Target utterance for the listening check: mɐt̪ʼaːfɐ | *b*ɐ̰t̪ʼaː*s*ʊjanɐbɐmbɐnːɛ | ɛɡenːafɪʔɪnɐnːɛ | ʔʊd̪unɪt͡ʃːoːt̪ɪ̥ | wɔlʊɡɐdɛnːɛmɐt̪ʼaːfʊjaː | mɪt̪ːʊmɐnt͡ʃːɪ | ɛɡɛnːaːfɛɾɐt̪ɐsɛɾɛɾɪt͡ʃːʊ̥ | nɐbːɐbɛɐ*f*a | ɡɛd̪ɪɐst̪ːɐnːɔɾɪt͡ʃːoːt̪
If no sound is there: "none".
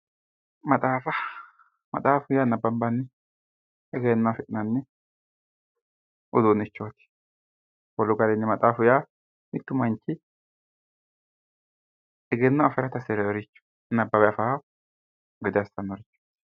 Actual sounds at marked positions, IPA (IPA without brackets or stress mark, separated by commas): m, f, f